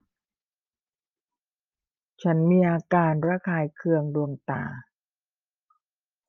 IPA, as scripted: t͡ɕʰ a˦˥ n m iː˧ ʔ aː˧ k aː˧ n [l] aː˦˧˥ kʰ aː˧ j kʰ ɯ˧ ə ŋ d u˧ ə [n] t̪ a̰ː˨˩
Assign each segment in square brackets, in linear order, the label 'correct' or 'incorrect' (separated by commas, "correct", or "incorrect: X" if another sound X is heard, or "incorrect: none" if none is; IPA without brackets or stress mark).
incorrect: ɾ, incorrect: ŋ